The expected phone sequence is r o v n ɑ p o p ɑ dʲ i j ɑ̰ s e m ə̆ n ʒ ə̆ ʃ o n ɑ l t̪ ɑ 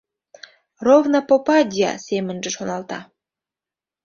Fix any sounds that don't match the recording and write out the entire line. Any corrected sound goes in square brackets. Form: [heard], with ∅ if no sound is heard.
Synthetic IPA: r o v n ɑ p o p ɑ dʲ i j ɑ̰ s e m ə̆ n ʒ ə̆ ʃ o n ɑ l t̪ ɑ